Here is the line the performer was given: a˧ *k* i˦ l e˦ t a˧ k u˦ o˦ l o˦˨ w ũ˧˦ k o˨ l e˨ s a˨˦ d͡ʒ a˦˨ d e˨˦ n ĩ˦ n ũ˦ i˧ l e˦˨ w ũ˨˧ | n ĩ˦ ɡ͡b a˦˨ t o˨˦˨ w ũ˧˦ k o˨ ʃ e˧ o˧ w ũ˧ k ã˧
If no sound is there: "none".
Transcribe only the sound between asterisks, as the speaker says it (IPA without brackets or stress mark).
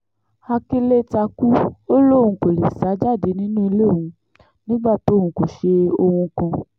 k